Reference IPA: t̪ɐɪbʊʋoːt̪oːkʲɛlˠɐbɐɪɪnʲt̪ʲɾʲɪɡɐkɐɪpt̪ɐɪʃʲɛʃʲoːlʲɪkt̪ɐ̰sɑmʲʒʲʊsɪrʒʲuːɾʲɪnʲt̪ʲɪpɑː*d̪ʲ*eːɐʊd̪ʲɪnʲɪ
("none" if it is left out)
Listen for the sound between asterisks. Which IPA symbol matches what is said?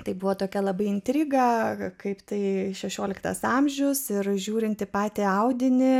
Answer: t̪ʲ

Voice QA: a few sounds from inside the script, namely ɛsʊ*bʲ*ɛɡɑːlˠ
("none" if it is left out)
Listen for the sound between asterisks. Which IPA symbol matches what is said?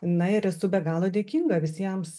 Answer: bʲ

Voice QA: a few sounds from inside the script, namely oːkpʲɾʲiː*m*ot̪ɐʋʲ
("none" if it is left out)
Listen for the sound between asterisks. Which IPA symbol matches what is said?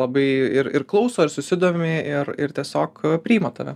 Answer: m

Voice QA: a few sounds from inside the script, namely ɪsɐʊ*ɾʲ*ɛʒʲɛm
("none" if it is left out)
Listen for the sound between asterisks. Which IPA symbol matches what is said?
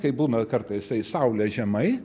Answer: lʲ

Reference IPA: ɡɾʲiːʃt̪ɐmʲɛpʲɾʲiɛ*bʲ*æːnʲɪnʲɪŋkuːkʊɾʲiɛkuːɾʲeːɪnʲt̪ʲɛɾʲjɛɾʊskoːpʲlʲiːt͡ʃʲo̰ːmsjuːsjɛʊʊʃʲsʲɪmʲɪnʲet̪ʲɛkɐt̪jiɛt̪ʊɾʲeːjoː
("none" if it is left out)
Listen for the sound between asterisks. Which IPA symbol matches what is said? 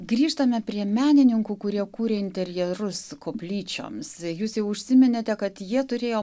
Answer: mʲ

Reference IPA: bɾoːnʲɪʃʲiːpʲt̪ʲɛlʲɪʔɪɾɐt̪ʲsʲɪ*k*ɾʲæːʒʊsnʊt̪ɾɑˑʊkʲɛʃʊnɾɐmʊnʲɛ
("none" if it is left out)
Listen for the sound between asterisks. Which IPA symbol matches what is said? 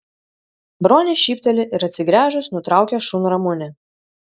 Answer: ɡ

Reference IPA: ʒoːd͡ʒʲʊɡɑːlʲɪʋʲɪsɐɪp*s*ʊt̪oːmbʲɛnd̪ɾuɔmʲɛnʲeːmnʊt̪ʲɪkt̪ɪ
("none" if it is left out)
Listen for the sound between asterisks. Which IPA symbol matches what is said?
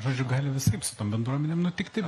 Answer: s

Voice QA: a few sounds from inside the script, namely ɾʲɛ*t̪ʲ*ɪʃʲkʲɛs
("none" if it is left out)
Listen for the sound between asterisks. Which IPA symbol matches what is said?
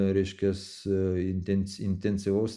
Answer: none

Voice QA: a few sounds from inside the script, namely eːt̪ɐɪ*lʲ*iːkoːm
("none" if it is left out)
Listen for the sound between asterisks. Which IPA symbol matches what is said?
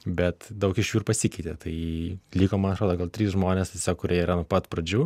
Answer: lʲ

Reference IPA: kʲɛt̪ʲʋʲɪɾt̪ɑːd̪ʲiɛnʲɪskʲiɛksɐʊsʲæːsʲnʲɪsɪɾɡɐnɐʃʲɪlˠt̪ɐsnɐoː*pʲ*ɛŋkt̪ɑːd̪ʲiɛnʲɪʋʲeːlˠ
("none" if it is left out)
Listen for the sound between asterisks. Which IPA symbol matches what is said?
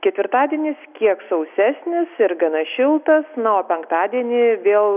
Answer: pʲ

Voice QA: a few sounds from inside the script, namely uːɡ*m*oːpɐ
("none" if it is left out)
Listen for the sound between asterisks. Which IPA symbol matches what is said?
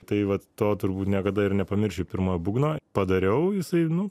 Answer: n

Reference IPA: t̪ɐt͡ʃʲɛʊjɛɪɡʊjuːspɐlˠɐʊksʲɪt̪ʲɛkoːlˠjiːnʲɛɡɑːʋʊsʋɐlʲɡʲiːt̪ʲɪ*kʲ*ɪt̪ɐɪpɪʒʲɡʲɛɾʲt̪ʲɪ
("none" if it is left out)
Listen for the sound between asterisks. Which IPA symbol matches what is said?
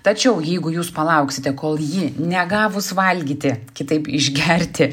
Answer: kʲ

